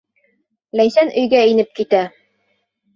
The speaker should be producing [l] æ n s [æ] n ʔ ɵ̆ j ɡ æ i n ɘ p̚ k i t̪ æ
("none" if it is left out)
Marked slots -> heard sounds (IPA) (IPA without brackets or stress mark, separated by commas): l, æ